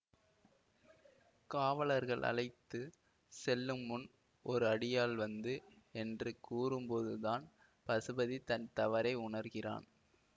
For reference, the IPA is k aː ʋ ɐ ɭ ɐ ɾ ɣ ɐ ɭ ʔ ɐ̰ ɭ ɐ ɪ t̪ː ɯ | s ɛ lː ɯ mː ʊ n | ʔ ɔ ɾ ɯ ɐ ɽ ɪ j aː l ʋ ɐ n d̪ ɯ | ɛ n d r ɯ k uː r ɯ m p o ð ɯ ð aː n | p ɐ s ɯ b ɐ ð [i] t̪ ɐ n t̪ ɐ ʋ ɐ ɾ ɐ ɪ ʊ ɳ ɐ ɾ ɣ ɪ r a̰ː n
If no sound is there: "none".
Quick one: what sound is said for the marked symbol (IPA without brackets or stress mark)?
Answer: i